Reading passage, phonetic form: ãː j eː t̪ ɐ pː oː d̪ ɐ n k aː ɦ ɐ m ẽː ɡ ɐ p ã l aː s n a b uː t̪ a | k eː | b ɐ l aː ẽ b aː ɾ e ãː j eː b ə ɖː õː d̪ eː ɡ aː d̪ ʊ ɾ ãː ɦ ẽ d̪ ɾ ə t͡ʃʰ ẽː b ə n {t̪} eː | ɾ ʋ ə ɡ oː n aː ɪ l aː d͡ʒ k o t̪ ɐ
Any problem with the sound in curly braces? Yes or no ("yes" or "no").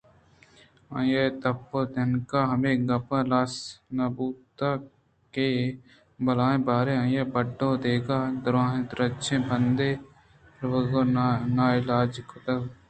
yes